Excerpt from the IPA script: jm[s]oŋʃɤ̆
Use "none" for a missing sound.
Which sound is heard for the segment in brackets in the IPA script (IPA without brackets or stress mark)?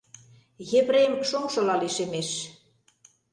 ʃ